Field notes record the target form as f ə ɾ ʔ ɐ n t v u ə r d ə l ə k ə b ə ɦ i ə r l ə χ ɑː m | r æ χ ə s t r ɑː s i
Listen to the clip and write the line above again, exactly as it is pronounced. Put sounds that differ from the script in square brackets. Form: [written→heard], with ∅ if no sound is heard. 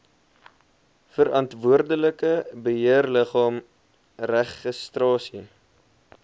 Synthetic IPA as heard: f ə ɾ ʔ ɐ n t v u ə r d ə l ə k ə b ə ɦ i ə r l ə χ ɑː m | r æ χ ə s t r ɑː s i